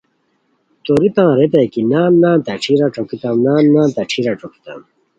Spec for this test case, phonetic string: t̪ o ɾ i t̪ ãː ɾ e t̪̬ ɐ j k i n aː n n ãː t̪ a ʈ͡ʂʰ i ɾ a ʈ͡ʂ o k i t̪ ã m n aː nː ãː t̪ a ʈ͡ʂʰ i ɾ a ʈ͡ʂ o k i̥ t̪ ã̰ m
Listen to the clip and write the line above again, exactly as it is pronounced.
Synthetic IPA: t̪ o ɾ i t̪ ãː ɾ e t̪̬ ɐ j k i n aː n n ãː t̪ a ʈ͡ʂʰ i ɾ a ʈ͡ʂ o k i t̪ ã m n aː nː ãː t̪ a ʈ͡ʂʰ i ɾ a ʈ͡ʂ o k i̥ t̪ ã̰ m